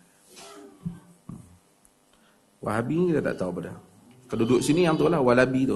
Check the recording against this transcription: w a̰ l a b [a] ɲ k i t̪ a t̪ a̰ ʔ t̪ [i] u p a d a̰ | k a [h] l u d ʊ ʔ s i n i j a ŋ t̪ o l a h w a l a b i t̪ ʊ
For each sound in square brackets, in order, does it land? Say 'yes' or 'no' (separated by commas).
no, no, no